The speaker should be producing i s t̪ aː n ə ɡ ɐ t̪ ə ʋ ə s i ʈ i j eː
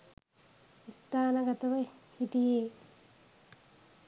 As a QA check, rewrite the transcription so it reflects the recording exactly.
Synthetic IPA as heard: i s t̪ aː n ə ɡ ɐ t̪ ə ʋ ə h i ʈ i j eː